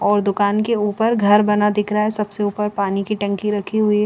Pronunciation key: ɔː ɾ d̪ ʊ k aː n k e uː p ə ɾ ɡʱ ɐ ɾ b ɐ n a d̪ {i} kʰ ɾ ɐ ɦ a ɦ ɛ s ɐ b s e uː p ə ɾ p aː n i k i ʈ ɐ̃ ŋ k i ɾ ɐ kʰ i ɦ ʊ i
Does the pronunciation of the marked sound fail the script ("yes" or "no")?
yes